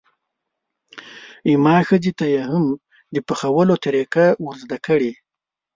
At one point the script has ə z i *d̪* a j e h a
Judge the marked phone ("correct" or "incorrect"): incorrect